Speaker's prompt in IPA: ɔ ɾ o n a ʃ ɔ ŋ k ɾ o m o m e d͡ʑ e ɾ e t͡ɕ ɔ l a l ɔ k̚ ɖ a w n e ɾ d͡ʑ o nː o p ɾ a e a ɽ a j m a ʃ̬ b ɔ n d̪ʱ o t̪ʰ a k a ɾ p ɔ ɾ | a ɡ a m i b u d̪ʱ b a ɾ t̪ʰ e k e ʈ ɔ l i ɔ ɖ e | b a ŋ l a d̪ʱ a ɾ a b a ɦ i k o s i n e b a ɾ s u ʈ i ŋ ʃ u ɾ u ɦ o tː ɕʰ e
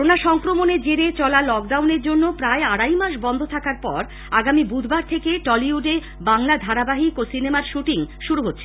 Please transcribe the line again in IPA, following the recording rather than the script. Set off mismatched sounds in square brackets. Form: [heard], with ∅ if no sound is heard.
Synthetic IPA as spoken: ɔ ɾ o n a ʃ ɔ ŋ k ɾ o m o [n] e d͡ʑ e ɾ e t͡ɕ ɔ l a l ɔ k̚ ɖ a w n e ɾ d͡ʑ o nː o p ɾ a e a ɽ a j m a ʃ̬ b ɔ n d̪ʱ o t̪ʰ a k a ɾ p ɔ ɾ | a ɡ a m i b u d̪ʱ b a ɾ t̪ʰ e k e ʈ ɔ l i [u] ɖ e | b a ŋ l a d̪ʱ a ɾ a b a ɦ i k o s i n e [m] a ɾ [ʃ] u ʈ i ŋ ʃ u ɾ u ɦ o tː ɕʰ e